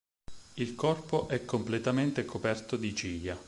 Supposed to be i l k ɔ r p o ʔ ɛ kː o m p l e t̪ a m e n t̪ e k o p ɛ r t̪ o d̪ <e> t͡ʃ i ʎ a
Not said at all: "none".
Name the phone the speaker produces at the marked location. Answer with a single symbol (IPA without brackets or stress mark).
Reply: i